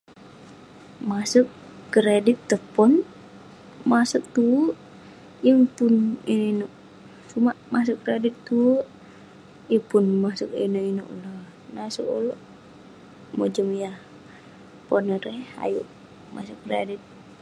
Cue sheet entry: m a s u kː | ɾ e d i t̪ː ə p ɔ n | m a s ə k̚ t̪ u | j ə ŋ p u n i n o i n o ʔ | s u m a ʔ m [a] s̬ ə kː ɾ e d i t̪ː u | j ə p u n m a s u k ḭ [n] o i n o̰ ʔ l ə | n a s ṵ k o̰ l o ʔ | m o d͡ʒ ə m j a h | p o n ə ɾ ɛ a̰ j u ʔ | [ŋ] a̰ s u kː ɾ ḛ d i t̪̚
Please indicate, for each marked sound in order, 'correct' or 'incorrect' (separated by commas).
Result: correct, correct, incorrect